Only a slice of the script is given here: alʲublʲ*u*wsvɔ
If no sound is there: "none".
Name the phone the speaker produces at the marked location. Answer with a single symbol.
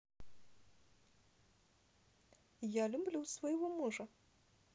u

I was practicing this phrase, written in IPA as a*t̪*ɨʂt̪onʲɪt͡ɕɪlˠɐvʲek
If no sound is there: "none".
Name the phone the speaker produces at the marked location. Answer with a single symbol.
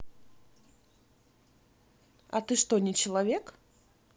t̪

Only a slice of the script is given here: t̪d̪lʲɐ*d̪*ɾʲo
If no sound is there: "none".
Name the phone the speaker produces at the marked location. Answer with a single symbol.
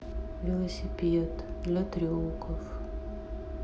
t̪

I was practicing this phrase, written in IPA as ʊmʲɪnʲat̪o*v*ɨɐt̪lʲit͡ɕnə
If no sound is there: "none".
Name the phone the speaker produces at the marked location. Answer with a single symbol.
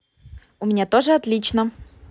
ʐ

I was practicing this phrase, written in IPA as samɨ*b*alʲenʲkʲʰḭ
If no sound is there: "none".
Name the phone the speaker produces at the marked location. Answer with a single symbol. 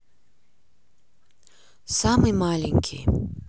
m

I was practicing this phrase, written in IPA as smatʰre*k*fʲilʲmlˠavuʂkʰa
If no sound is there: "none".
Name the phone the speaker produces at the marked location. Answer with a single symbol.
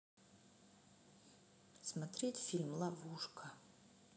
t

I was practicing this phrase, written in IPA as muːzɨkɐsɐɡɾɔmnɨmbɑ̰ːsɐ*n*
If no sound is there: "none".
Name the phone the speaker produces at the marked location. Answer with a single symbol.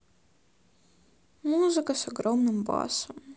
m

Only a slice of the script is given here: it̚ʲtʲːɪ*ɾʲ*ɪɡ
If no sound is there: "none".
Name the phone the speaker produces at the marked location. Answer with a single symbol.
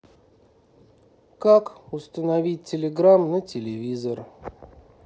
lʲ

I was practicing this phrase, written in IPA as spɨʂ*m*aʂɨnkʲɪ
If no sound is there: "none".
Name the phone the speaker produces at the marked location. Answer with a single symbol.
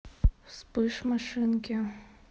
m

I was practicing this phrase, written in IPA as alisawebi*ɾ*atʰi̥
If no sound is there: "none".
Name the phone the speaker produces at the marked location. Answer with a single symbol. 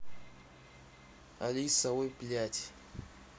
l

